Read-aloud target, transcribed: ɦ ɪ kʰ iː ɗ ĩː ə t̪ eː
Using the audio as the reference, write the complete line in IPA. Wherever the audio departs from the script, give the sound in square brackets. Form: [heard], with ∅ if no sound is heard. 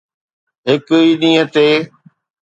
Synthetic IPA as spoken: ɦ ɪ [k] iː ɗ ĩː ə t̪ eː